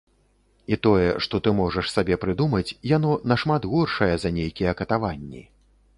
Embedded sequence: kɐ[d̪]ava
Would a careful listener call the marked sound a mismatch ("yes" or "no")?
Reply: yes